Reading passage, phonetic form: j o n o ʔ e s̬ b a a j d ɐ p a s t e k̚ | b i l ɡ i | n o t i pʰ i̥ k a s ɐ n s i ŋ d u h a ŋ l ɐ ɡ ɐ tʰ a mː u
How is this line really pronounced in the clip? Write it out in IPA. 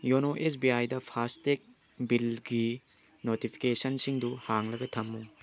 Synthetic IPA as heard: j o n o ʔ e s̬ b i a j d ɐ pʰ a s t e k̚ | b i l ɡ i | n o t i pʰ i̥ k e s ɐ n s i ŋ d u h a ŋ l ɐ ɡ ɐ tʰ ɐ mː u